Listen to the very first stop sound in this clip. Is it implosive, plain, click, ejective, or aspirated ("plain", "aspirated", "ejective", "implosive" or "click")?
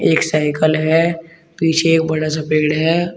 plain